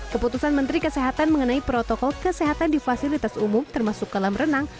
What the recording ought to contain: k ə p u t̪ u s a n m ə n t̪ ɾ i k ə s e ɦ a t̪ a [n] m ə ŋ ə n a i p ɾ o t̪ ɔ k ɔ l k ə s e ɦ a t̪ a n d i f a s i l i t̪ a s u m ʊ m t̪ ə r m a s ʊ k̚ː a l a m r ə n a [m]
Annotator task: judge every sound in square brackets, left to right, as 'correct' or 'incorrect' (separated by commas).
correct, incorrect